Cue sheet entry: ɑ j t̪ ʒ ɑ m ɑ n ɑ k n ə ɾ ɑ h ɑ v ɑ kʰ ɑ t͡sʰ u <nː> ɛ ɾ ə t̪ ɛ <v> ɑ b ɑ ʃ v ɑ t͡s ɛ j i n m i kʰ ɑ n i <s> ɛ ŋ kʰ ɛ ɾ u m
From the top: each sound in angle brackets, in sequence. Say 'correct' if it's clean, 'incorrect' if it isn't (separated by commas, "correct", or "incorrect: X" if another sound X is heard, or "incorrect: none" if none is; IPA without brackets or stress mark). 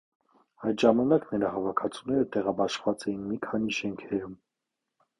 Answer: incorrect: n, incorrect: ʁ, incorrect: ʃ